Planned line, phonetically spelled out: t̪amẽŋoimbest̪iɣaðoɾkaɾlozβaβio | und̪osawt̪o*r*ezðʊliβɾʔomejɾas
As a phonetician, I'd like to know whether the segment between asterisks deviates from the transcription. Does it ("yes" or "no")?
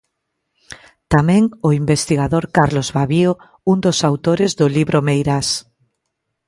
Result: yes